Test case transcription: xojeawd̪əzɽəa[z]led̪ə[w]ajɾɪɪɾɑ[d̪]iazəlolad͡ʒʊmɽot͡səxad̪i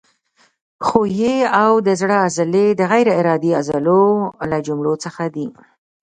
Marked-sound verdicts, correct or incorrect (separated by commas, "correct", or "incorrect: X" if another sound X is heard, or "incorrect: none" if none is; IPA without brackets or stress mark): correct, incorrect: ɣ, correct